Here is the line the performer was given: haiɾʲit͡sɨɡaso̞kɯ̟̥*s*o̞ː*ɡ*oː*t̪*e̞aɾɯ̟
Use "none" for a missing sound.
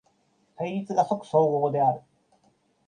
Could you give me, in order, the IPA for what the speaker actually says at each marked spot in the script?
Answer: s, ɡ, d̪

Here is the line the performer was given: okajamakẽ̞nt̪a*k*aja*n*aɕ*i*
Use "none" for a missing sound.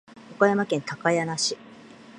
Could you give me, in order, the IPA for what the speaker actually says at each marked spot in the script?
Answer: k, n, i

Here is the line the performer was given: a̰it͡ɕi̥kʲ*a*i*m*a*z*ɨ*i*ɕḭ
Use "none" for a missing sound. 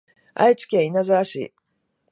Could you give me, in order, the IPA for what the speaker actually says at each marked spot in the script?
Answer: e, n, z, a

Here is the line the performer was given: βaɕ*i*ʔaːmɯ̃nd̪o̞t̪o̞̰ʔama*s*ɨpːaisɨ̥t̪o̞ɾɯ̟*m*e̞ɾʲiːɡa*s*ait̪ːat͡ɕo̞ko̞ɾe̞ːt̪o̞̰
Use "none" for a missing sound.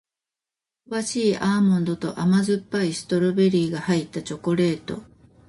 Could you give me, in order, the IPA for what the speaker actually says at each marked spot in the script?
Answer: iː, z, b, h

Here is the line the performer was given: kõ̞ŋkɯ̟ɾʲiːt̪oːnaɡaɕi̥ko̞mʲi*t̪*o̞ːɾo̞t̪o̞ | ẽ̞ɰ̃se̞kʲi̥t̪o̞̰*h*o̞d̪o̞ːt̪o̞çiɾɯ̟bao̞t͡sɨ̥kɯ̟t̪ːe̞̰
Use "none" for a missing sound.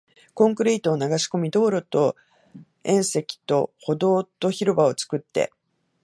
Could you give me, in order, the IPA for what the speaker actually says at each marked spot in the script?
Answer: d̪, h

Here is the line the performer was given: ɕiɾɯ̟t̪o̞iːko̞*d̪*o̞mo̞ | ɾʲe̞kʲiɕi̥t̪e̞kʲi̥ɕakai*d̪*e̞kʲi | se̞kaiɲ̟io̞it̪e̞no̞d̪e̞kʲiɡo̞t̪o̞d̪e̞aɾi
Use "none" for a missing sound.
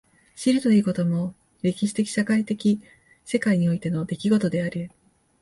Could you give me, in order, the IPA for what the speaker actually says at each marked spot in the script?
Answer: t̪, t̪

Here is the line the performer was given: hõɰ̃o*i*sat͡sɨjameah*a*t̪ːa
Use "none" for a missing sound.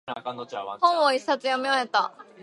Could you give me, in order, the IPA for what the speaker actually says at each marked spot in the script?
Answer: i, e

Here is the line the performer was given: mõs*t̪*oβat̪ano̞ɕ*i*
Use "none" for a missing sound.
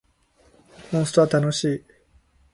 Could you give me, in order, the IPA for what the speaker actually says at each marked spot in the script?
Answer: t̪, iː

